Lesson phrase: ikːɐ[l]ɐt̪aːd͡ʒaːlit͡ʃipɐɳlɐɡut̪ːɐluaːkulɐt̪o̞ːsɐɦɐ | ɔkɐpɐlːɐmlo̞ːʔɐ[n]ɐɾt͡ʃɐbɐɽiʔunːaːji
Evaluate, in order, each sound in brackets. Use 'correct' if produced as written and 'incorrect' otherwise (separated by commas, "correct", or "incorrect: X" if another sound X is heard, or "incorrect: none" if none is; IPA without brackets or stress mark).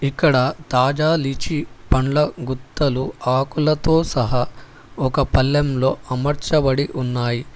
incorrect: ɽ, incorrect: m